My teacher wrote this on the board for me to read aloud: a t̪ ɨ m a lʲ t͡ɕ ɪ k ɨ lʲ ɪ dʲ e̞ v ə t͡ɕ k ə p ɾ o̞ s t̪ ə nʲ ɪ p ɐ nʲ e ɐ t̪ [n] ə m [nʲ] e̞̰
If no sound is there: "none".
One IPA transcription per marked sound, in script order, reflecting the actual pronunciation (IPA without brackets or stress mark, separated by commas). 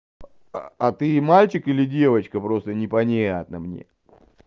n, nʲ